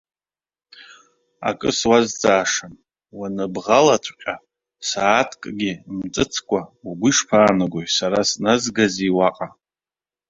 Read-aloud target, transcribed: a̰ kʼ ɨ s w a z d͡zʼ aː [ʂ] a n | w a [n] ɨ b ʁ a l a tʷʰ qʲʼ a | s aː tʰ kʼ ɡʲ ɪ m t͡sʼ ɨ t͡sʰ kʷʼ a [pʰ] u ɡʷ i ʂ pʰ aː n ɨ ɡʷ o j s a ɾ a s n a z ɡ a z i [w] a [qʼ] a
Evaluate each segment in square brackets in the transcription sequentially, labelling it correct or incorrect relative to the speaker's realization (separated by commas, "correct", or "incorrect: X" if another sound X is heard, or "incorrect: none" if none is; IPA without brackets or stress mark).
correct, correct, incorrect: none, correct, correct